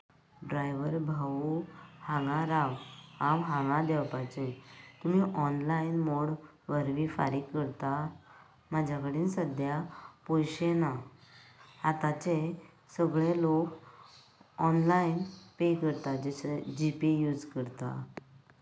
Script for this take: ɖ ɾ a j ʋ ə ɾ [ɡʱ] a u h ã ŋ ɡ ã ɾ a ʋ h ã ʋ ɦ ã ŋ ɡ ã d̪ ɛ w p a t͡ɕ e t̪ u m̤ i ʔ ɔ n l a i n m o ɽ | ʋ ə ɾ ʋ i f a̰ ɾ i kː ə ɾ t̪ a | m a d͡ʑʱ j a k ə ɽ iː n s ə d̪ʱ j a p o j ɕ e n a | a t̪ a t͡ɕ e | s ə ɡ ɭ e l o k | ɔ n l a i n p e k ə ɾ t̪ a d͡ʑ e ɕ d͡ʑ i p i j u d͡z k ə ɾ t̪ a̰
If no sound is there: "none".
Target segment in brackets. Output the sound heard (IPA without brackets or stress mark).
bʱ